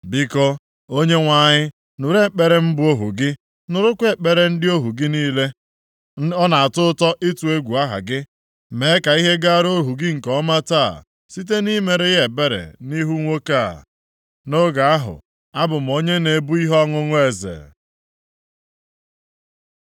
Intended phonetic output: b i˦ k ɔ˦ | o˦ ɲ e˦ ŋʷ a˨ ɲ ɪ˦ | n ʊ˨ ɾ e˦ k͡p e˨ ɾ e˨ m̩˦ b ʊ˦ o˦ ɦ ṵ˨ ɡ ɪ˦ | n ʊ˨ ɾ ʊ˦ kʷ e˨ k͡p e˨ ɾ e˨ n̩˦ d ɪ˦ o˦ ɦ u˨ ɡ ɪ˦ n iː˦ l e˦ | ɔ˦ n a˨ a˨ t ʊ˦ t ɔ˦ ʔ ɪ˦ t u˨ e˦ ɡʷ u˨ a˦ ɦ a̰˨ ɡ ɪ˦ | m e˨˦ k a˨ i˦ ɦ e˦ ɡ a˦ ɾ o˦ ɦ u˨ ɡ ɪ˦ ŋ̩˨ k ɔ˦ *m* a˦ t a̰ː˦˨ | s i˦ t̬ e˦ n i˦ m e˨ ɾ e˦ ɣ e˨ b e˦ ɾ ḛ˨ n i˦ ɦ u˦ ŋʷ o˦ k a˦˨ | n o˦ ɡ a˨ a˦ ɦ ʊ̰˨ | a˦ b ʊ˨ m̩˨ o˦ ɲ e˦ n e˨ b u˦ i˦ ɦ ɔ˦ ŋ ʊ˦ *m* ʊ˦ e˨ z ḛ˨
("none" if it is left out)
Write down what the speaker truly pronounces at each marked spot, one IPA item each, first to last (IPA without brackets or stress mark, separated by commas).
m, ŋ